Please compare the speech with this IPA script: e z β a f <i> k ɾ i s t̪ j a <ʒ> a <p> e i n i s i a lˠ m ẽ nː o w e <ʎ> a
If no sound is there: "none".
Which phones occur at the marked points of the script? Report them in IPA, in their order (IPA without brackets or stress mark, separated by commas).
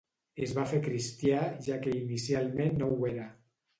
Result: e, ʒ, k, ɾ